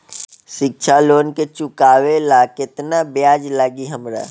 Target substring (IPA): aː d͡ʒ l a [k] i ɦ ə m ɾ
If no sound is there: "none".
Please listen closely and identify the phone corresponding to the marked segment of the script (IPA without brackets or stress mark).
ɡ